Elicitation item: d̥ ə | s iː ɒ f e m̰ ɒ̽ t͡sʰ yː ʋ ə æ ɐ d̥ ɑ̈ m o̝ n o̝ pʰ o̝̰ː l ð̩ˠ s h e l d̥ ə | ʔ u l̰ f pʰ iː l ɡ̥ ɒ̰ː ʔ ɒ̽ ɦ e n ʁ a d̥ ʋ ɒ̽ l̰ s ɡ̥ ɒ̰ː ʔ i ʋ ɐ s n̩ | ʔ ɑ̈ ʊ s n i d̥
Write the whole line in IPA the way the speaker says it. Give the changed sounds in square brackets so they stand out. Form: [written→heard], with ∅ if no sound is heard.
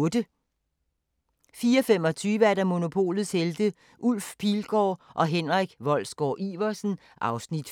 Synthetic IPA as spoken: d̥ ə | [s→f] iː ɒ f e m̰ ɒ̽ t͡sʰ yː ʋ ə æ ɐ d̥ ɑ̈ m o̝ n o̝ pʰ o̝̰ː l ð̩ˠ s h e l d̥ ə | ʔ u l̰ f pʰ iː l ɡ̥ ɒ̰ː ʔ ɒ̽ ɦ e n ʁ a [d̥→ɡ̥] ʋ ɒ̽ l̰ s ɡ̥ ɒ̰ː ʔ i ʋ ɐ s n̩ | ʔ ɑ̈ ʊ s n i d̥